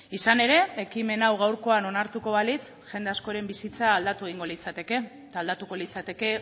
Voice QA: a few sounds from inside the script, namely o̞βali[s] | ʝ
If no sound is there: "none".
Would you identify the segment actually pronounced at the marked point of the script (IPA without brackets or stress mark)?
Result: t͡s